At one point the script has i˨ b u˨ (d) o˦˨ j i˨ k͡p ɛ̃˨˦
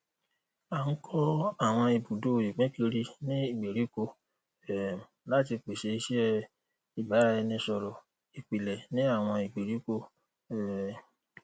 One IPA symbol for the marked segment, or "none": d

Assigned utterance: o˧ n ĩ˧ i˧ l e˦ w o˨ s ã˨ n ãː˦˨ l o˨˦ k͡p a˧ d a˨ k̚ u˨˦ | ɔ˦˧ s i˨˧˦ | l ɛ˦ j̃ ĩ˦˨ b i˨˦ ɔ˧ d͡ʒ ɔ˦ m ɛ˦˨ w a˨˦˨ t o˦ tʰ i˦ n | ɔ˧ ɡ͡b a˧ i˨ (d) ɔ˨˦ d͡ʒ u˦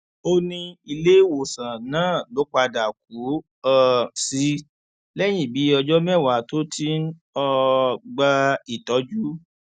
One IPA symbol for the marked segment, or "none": t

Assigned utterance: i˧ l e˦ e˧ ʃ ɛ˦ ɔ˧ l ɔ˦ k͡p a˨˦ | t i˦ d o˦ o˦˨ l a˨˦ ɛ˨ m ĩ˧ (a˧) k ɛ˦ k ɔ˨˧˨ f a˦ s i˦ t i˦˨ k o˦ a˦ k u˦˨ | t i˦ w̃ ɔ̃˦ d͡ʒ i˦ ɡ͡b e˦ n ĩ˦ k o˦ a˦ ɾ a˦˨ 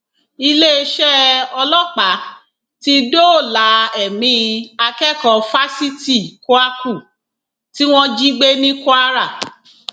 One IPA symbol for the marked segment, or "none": a˧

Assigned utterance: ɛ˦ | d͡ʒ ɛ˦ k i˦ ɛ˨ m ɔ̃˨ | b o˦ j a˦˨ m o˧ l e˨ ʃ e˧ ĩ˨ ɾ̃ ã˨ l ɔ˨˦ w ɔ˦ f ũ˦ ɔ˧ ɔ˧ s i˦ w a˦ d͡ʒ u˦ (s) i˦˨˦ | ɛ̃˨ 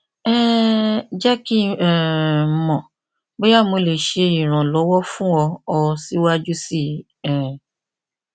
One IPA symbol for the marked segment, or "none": s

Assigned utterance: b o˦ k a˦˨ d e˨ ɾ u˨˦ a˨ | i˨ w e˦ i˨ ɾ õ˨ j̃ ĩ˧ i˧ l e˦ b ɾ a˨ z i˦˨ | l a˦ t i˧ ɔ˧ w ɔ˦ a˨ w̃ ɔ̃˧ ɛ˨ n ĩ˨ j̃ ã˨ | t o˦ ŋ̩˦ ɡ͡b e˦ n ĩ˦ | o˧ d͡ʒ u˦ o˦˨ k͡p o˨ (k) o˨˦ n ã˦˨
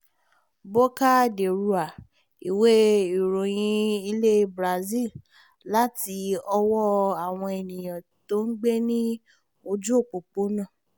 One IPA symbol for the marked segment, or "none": k͡p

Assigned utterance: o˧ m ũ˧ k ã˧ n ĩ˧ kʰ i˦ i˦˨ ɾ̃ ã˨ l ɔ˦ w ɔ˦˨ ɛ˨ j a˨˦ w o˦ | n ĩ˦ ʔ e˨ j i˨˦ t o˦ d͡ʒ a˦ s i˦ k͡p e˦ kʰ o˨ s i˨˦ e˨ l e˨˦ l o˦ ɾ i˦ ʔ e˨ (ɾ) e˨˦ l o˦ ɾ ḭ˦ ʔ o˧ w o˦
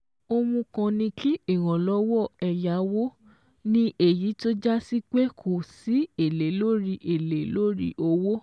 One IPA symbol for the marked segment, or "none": l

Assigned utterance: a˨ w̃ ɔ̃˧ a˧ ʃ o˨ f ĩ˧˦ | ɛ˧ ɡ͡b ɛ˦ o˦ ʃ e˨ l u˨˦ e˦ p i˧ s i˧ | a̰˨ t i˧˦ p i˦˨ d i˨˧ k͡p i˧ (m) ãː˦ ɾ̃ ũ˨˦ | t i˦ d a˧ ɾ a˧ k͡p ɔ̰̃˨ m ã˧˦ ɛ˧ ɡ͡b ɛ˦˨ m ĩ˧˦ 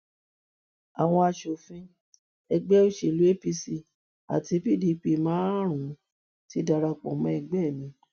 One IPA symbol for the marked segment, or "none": m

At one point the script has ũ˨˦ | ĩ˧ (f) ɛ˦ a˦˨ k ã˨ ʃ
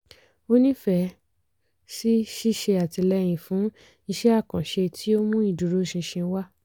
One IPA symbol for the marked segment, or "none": ʃ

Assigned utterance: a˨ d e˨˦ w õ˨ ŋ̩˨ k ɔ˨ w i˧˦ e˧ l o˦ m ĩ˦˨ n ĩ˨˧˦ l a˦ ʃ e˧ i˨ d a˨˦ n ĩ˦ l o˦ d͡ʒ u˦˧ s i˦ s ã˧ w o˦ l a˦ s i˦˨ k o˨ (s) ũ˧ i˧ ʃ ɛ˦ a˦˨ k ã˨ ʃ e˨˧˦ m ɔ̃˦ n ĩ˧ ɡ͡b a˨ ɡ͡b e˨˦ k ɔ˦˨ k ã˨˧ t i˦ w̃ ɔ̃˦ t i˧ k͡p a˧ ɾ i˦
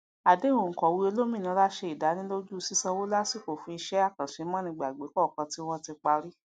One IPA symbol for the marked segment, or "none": f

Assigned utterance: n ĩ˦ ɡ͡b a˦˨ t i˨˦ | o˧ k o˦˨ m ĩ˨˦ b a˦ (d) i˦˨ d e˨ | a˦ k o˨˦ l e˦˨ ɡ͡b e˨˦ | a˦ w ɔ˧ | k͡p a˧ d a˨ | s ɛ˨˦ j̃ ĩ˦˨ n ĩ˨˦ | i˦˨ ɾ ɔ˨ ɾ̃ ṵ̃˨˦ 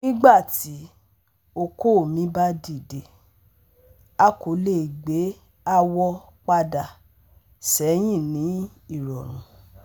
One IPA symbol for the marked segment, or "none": d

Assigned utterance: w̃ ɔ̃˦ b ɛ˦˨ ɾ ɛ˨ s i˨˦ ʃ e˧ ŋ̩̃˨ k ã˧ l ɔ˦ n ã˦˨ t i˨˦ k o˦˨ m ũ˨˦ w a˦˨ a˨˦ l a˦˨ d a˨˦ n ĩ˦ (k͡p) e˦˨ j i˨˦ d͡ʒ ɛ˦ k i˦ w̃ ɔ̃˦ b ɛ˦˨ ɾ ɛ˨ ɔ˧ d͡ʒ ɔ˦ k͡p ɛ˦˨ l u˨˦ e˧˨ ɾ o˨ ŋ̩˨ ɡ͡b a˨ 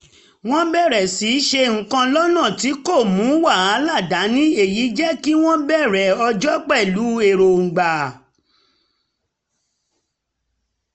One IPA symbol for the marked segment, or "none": none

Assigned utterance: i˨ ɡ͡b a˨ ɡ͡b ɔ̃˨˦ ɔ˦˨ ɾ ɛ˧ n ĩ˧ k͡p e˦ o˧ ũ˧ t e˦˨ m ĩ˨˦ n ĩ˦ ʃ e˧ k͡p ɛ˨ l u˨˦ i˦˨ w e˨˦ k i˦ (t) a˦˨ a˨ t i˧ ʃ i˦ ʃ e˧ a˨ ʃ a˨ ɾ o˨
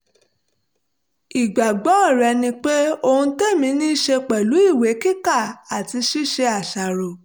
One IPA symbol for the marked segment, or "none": k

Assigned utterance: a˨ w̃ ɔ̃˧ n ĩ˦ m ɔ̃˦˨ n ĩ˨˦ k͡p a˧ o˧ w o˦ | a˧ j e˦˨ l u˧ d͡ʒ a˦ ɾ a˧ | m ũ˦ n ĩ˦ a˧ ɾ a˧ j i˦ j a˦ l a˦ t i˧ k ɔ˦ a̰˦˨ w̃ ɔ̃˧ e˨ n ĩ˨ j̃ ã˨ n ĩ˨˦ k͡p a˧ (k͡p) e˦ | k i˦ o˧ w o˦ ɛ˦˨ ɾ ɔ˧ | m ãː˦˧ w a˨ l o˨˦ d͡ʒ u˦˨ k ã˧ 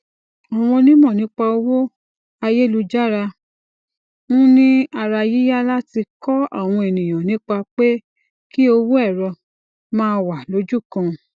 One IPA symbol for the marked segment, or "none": k͡p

